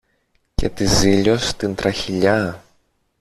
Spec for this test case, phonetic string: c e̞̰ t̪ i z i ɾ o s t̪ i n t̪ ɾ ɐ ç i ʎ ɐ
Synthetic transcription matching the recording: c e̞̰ t̪ i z i ʎ o s t̪ i n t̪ ɾ ɐ ç i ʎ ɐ